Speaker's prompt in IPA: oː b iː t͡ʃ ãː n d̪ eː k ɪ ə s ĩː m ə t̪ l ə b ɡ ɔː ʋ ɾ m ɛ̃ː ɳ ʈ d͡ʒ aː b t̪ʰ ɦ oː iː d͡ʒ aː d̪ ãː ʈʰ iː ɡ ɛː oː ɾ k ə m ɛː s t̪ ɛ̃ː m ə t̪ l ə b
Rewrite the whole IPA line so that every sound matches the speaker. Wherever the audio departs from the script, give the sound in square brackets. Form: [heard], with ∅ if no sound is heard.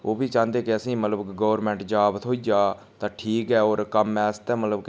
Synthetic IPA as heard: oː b iː t͡ʃ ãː n d̪ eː k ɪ ə s ĩː m ə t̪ l ə b ɡ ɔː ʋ ɾ m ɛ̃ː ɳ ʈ d͡ʒ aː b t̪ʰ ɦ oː iː d͡ʒ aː [t̪] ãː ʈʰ iː [k] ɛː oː ɾ k ə m ɛː s t̪ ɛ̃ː m ə t̪ l ə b

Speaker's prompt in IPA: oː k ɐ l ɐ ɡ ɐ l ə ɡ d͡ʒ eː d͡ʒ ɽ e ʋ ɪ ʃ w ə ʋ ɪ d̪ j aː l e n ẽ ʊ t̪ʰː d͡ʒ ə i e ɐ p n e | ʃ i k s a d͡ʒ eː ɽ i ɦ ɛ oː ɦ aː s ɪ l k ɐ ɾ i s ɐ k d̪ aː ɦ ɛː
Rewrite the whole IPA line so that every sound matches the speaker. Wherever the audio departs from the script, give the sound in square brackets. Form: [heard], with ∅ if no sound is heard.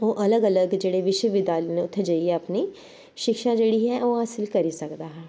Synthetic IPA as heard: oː [ʔ] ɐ l [ə] ɡ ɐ l ə ɡ d͡ʒ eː [∅] ɽ e ʋ ɪ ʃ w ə ʋ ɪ d̪ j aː l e n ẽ ʊ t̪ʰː d͡ʒ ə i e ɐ p n [i] | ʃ [ɪ] k [ʃ] a d͡ʒ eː ɽ i ɦ ɛ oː ɦ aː s ɪ l k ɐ ɾ i s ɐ k d̪ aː ɦ ɛː

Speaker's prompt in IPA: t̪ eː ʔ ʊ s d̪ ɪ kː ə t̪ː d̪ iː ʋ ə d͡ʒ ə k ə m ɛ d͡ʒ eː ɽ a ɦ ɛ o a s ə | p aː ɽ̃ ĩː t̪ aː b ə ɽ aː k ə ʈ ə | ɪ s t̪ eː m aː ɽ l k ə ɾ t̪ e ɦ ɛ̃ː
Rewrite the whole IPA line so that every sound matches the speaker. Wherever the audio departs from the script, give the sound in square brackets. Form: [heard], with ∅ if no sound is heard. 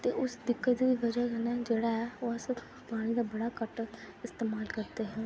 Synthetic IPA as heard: t̪ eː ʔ ʊ s d̪ ɪ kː ə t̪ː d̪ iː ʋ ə d͡ʒ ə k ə [n] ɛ d͡ʒ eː ɽ a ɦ ɛ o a s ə | p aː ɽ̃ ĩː [d̪] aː b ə ɽ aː k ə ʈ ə | ɪ s t̪ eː m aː [∅] l k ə ɾ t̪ e ɦ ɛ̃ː

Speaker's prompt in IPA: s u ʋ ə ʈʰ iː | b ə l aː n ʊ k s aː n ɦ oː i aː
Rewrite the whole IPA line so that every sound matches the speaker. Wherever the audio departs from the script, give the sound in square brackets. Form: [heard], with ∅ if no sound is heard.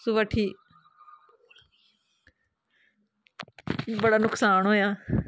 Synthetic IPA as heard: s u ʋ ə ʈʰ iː | b ə [ɽ] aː n ʊ k s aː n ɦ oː [j] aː

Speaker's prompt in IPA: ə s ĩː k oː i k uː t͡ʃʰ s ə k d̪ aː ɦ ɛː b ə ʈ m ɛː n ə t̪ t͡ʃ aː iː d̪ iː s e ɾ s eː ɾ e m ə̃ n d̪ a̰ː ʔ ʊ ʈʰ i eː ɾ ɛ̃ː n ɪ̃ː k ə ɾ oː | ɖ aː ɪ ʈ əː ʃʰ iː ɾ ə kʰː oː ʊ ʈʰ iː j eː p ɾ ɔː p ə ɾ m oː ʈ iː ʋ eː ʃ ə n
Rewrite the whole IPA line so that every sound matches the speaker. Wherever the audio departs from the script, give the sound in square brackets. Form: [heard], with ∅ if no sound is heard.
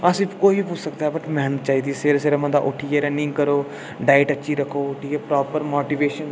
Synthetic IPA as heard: ə s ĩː k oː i [p] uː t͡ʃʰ s ə k d̪ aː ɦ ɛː b ə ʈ m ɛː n ə t̪ t͡ʃ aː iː d̪ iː s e ɾ s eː ɾ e m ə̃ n d̪ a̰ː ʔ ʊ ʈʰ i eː ɾ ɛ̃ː n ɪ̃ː k ə ɾ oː | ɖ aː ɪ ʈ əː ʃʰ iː ɾ ə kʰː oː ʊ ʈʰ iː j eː p ɾ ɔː p ə ɾ m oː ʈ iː ʋ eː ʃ ə n

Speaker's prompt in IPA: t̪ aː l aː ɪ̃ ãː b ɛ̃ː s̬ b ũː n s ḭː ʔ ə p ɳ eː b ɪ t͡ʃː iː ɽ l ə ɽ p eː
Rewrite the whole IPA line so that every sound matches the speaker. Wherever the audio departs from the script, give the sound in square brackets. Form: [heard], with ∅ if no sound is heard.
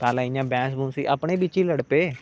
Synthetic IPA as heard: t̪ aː l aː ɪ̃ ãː b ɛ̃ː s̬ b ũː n s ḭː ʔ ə p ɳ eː b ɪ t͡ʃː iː [∅] l ə ɽ p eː

